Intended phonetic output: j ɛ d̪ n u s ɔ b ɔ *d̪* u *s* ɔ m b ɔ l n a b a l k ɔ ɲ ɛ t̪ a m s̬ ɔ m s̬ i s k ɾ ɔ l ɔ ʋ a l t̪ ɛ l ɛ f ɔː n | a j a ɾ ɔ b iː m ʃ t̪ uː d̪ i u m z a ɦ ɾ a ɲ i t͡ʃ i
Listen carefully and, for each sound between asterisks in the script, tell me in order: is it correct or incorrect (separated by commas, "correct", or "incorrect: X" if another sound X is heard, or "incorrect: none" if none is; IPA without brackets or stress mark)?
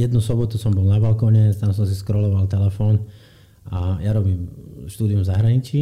incorrect: t̪, correct